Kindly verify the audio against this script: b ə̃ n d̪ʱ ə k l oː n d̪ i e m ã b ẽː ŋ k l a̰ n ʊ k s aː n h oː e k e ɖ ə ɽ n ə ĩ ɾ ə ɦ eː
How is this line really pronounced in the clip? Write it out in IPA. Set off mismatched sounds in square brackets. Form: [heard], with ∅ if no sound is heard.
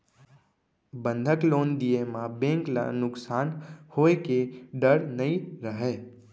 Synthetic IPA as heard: b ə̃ n d̪ʱ ə k l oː n d̪ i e m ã b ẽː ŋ k l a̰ n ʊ k s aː n h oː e k e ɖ ə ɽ n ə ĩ ɾ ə ɦ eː